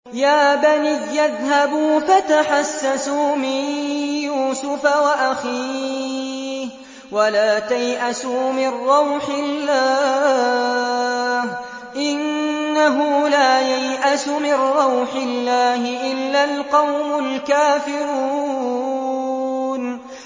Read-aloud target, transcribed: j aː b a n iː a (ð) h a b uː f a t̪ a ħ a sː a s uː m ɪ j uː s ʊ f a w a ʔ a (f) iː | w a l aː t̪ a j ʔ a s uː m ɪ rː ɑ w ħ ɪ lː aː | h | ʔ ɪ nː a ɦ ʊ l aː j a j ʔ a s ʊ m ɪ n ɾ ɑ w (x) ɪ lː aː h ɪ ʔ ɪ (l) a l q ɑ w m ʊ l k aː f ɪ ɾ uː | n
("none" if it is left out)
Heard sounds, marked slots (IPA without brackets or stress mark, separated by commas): ð, x, ħ, lː